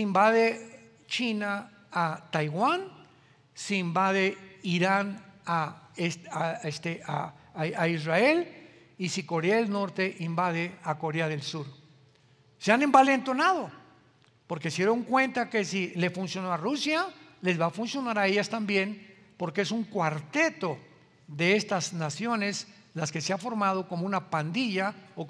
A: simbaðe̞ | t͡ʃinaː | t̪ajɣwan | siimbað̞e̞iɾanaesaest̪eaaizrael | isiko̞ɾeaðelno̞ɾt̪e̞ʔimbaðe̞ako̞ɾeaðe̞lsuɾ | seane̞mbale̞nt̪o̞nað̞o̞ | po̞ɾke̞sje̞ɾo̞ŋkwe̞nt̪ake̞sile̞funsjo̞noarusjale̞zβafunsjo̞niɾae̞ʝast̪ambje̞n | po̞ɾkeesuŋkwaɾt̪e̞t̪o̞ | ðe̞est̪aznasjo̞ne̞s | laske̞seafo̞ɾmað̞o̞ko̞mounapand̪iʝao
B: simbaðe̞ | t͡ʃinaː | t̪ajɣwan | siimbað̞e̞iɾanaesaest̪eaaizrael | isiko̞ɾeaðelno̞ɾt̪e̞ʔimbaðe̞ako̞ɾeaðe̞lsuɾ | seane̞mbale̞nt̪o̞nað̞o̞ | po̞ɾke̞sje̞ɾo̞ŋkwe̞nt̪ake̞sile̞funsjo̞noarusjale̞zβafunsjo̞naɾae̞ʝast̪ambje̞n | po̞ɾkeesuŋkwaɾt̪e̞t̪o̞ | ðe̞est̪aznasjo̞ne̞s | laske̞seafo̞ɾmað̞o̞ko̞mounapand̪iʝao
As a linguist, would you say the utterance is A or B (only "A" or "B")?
B